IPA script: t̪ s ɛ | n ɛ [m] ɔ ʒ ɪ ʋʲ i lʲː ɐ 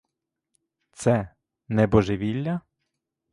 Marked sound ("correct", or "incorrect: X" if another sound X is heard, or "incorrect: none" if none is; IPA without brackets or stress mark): incorrect: b